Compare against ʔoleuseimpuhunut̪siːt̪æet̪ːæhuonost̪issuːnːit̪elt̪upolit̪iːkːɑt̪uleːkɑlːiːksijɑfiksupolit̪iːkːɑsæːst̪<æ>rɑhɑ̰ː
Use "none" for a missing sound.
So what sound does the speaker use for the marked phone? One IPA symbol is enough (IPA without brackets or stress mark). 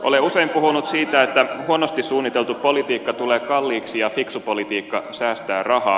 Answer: æː